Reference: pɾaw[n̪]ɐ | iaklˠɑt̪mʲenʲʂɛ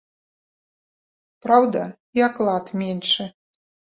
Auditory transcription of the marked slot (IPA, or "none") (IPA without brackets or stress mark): d̪